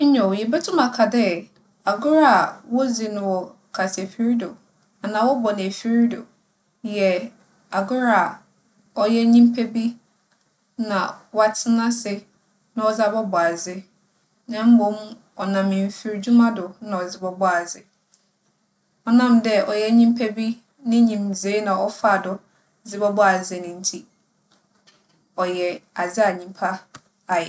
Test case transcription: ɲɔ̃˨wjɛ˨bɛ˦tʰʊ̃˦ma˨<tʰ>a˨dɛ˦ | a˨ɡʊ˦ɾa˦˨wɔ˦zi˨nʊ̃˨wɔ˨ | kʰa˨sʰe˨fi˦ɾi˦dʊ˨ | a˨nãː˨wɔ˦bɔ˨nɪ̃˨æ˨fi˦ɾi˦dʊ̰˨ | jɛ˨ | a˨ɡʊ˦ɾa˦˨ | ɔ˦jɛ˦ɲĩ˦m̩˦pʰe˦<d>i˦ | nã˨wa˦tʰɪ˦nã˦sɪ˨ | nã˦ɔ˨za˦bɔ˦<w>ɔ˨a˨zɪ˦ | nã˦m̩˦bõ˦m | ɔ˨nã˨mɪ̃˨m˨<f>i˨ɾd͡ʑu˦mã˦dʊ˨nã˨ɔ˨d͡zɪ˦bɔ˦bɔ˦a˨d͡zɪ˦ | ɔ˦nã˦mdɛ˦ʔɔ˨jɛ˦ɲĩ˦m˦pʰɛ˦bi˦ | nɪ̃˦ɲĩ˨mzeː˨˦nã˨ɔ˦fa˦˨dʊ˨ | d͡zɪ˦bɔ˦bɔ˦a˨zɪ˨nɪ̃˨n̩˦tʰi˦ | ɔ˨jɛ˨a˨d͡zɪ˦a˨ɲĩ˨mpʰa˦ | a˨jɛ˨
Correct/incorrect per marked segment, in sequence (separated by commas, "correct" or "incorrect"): incorrect, incorrect, incorrect, correct